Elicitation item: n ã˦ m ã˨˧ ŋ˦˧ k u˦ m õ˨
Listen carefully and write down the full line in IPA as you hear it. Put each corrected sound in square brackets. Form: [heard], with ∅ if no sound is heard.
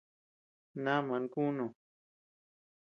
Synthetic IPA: n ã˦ m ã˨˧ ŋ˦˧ k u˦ [n] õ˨